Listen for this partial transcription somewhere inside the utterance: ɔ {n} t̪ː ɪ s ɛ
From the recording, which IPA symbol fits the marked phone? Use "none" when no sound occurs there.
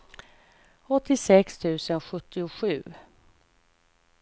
none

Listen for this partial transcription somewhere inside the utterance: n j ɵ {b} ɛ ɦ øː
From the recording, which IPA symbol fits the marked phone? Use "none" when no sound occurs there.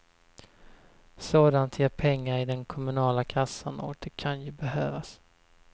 b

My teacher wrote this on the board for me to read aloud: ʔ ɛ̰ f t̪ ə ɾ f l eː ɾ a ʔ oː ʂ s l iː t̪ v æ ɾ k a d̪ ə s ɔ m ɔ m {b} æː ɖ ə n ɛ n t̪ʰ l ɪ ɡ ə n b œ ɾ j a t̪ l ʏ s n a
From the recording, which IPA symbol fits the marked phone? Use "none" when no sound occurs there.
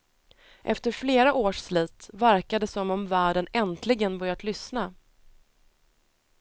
v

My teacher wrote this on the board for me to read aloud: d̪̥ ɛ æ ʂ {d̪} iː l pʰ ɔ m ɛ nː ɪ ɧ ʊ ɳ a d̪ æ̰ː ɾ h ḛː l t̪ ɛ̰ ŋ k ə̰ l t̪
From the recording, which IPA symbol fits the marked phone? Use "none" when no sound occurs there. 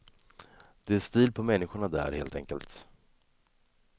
t̪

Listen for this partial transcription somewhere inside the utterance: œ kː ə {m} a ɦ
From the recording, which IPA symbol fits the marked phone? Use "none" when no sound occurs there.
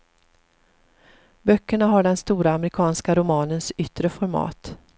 ɳ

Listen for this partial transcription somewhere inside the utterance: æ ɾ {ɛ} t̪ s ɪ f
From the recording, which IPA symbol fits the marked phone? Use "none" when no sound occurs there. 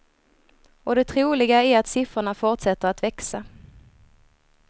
a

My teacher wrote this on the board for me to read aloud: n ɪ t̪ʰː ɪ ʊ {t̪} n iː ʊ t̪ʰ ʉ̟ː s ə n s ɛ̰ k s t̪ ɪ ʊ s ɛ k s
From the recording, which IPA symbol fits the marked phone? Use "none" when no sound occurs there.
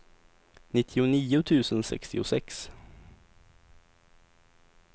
none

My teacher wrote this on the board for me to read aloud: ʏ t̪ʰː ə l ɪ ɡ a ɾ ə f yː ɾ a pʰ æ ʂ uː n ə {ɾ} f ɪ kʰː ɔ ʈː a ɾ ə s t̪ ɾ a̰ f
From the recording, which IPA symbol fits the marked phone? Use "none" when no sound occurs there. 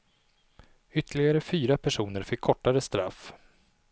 ɾ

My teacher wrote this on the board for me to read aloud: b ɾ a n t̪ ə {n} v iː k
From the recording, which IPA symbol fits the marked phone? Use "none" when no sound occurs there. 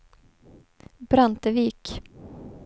none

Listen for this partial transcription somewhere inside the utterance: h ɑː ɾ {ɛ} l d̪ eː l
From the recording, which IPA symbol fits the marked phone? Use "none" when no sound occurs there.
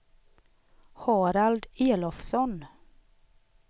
a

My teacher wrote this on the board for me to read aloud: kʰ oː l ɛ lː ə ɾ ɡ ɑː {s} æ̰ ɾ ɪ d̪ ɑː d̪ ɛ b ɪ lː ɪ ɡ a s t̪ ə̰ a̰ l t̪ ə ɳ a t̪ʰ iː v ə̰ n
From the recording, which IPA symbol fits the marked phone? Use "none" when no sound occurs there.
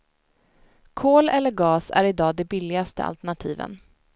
s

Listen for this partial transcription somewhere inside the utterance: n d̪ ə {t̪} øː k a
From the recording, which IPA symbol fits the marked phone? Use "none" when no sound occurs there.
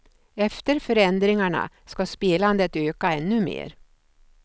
t̪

